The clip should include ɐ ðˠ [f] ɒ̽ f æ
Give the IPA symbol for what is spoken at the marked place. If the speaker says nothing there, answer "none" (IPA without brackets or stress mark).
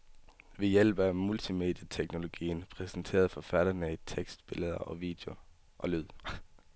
f